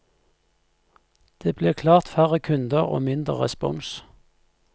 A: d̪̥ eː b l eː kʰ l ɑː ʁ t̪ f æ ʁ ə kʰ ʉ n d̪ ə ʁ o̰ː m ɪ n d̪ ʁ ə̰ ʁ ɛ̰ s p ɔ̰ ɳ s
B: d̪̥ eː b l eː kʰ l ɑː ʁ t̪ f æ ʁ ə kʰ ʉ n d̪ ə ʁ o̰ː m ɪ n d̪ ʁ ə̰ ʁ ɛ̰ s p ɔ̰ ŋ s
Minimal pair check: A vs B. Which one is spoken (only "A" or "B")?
B